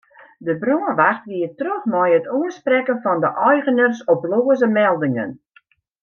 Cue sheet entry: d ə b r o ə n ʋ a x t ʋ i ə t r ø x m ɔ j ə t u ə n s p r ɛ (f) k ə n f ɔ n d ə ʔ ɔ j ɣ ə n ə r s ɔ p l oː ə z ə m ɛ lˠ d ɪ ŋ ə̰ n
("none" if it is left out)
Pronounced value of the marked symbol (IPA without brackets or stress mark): none